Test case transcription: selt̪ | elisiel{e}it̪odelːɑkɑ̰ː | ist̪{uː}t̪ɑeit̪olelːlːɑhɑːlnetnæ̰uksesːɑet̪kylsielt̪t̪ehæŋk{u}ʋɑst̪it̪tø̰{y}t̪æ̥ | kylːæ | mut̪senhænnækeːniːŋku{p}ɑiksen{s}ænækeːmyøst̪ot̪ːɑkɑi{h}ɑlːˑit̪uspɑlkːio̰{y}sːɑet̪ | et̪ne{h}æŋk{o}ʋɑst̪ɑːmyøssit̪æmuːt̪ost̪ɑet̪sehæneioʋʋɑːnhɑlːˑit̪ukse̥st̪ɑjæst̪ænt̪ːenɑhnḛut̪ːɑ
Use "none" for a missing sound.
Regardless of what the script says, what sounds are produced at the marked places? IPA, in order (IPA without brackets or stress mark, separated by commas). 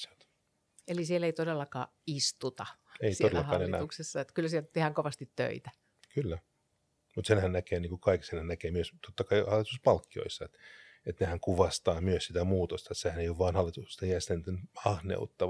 e, u, o, i, k, h, h, i, h, u